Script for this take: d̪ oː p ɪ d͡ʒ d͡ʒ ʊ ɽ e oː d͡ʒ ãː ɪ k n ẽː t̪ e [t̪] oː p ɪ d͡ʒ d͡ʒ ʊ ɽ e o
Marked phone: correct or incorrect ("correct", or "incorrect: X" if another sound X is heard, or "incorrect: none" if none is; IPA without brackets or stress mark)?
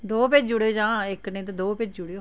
incorrect: d̪